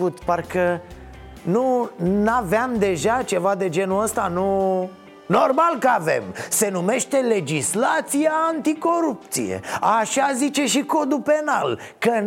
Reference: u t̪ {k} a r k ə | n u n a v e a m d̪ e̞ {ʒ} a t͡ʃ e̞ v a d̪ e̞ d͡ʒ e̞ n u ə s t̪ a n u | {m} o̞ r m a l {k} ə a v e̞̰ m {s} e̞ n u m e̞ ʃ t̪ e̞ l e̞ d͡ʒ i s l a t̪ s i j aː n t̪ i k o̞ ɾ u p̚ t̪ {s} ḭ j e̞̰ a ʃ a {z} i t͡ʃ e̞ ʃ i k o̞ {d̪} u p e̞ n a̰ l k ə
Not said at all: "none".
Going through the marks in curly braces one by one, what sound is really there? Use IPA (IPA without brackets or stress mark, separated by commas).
p, ʒ, n, k, s, s, z, d̪